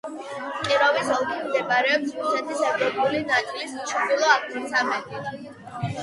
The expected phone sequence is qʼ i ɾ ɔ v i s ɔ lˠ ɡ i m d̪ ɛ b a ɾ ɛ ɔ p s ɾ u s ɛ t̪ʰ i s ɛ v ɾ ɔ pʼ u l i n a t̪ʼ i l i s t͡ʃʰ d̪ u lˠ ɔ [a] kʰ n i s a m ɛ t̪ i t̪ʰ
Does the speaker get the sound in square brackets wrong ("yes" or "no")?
no